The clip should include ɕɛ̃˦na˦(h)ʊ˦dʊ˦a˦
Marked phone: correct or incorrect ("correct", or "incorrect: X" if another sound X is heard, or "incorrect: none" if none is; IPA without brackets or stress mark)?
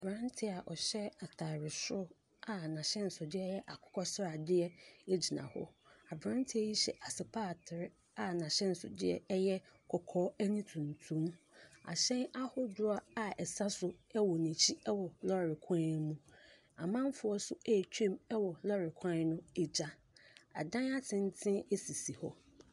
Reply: correct